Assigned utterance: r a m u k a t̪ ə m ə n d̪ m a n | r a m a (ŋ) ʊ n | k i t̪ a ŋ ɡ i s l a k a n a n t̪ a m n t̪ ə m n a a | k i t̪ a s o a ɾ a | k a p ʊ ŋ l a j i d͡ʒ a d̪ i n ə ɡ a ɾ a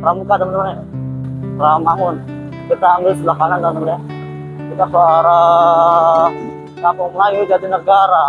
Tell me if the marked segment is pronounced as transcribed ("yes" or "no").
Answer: yes